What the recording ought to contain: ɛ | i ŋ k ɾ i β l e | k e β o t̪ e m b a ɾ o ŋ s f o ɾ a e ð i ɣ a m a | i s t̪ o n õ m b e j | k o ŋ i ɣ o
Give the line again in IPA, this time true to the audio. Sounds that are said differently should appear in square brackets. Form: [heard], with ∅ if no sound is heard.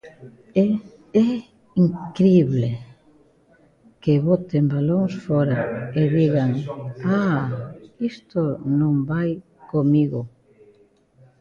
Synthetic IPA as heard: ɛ | i ŋ k ɾ i β l e | k e β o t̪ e m b a [l] o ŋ s f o ɾ a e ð i ɣ a [ŋ] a | i s t̪ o n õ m b [a] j | k o [m] i ɣ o